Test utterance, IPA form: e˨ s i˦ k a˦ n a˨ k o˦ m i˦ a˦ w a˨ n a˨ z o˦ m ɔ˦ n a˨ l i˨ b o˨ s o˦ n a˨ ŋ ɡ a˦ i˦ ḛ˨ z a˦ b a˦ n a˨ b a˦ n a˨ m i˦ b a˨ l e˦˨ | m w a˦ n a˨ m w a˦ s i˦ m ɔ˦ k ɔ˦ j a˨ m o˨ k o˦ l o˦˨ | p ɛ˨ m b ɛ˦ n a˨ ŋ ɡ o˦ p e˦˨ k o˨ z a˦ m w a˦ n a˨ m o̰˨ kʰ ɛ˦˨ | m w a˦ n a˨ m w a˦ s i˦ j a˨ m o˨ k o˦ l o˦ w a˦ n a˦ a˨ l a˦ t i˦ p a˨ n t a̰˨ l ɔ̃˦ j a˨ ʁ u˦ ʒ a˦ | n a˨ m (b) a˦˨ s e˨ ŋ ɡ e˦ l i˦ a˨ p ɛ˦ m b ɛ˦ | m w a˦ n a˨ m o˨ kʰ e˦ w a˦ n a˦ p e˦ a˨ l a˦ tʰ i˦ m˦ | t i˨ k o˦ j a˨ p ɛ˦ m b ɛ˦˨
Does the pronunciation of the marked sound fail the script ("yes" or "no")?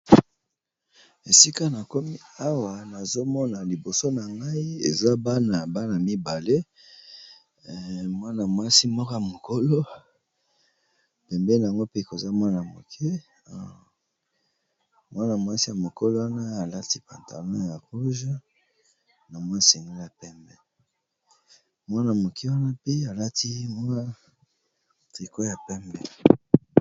yes